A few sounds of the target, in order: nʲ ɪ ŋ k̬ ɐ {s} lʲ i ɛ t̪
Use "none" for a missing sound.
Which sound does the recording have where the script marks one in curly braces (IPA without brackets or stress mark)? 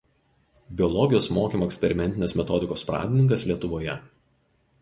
s